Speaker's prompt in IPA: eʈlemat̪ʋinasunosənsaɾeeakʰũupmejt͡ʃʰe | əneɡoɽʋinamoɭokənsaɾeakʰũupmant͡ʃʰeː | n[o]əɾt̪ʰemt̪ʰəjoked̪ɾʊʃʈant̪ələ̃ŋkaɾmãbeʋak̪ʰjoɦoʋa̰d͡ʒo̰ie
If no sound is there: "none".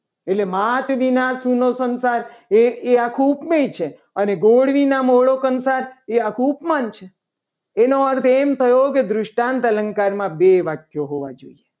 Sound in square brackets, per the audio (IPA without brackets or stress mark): o